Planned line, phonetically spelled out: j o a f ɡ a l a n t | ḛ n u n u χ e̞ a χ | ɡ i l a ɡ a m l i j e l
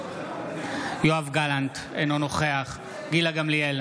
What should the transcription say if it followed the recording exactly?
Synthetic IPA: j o a v ɡ a l a n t | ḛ n o n o χ e̞ a χ | ɡ i l a ɡ a m l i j e l